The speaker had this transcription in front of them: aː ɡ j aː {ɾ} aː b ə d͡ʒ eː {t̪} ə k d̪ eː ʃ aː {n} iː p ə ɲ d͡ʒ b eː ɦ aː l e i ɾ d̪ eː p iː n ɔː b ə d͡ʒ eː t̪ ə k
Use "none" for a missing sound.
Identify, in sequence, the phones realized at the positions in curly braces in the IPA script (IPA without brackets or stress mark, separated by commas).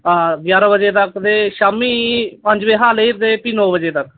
ɾ, t̪, m